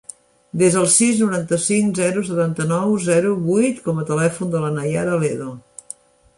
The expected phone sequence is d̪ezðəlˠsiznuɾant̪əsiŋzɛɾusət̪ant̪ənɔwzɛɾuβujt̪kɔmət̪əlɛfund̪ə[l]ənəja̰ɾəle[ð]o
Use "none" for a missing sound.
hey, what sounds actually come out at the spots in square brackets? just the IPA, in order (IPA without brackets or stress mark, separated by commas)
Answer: l, ð